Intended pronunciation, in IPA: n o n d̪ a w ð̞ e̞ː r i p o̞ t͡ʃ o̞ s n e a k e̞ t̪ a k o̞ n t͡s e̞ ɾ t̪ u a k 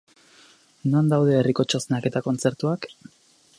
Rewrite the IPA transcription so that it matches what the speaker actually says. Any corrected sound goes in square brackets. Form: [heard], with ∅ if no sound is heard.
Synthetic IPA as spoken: n o n d̪ a w ð̞ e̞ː r i [k] o̞ t͡ʃ o̞ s n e a k e̞ t̪ a k o̞ n t͡s e̞ ɾ t̪ u a k